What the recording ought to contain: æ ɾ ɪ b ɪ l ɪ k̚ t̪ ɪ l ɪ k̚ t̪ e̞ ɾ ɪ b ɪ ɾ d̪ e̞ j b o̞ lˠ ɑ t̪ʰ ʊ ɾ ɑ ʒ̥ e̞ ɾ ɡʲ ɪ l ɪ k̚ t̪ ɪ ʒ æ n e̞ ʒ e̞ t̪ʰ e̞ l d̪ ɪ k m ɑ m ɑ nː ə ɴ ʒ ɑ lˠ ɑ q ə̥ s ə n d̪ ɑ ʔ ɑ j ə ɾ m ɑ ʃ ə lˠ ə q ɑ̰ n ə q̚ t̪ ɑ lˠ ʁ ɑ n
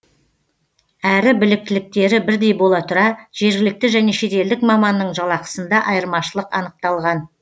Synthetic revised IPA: æ ɾ ɪ b ɪ l ɪ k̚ t̪ ɪ l ɪ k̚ t̪ e̞ ɾ ɪ b ɪ ɾ d̪ e̞ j b o̞ lˠ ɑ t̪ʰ ʊ ɾ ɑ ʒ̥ e̞ ɾ ɡʲ ɪ l ɪ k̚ t̪ ɪ ʒ æ n e̞ ʃ e̞ t̪ e̞ l d̪ ɪ k m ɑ m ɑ nː ə ɴ ʒ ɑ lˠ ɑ q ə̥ s ə n d̪ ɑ ʔ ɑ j ə ɾ m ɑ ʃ ə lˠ ə q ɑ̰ n ə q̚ t̪ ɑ lˠ ʁ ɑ n